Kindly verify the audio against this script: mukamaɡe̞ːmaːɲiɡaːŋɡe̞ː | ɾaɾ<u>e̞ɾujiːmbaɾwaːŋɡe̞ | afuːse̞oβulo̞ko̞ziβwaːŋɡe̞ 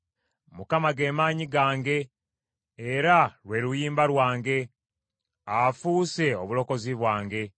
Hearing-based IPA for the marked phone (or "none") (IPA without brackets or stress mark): w